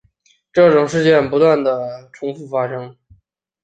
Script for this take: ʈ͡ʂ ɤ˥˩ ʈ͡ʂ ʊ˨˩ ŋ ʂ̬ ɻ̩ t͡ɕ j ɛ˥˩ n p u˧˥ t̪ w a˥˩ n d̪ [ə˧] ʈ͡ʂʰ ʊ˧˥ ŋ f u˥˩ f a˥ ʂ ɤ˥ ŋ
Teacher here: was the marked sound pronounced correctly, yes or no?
no